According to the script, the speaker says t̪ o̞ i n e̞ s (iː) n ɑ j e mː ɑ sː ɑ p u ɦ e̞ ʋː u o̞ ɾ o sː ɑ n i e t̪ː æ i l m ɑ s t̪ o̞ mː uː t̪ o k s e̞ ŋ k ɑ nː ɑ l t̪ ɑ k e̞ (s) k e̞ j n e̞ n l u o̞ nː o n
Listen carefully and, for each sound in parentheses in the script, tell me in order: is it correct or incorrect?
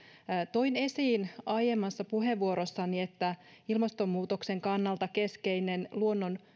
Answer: correct, correct

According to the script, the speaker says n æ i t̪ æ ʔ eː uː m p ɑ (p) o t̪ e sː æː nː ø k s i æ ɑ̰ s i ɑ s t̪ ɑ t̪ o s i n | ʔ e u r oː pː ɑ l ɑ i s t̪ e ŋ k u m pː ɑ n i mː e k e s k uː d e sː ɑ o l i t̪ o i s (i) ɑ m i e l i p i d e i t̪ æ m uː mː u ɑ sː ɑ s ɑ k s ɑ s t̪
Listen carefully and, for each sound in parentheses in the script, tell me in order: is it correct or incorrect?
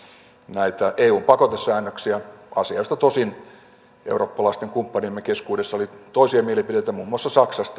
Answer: incorrect, correct

